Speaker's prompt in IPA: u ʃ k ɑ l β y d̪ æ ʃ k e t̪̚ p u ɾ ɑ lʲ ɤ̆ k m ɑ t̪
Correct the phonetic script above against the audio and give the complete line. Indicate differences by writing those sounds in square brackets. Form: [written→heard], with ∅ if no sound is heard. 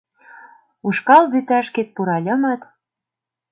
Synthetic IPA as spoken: u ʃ k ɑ l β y [d̪→t̪] æ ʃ k e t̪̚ p u ɾ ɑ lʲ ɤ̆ [k→∅] m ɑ t̪